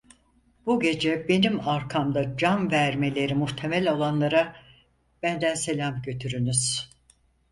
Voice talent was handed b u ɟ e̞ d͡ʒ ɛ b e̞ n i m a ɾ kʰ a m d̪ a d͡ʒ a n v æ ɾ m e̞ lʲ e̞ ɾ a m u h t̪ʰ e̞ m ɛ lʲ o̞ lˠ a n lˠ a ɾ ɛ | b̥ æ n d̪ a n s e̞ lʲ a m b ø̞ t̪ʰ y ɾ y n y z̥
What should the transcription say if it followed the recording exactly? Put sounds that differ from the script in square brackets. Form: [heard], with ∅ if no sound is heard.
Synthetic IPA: b u ɟ e̞ d͡ʒ ɛ b e̞ n i m a ɾ kʰ a m d̪ a d͡ʒ a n v æ ɾ m e̞ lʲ e̞ ɾ [i] m u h t̪ʰ e̞ m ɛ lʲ o̞ lˠ a n lˠ a ɾ [a] | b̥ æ n d̪ [æ] n s e̞ lʲ a m [ɟ] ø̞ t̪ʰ y ɾ y n y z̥